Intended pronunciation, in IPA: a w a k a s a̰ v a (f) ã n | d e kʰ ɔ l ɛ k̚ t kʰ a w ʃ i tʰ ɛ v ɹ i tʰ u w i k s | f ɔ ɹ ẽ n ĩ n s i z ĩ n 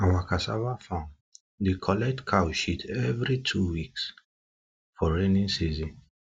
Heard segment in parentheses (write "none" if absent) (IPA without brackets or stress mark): f